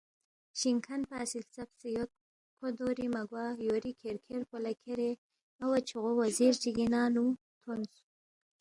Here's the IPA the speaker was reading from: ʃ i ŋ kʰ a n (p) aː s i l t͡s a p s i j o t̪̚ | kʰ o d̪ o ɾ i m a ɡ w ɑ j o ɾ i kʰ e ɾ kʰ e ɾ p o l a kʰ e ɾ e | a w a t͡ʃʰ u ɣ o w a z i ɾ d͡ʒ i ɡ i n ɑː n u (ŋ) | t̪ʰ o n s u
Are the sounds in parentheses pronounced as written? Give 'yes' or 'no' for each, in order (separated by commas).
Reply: yes, no